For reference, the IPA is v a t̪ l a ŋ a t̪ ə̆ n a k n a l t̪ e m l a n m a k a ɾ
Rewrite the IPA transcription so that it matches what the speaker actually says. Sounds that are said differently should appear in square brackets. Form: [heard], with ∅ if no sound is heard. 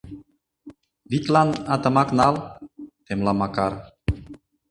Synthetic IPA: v [i] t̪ l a [n] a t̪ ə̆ [m] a k n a l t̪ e m l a [∅] m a k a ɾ